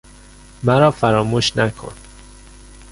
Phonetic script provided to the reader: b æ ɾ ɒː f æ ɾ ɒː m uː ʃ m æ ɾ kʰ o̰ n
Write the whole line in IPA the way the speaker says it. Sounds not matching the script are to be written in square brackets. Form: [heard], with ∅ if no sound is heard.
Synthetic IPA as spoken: [m] æ ɾ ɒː f æ ɾ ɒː m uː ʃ [n] æ [∅] kʰ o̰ n